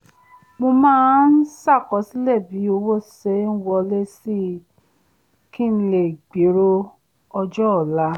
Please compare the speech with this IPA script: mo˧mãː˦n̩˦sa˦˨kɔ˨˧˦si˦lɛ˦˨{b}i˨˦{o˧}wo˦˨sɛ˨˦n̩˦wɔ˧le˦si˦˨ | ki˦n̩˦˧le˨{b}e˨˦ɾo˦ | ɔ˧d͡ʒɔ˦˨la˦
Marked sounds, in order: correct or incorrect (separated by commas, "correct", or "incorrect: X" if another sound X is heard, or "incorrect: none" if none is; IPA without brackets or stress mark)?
correct, correct, incorrect: ɡ͡b